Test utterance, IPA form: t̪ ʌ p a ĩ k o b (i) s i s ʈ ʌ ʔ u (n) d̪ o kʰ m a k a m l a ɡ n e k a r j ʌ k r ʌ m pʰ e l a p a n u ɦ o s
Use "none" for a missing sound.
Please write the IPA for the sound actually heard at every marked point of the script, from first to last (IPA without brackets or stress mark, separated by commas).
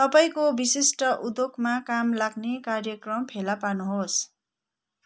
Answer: i, none